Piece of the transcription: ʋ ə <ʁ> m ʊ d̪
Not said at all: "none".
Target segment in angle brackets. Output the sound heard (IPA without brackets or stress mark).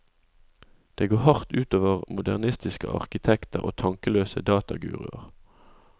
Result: ʁ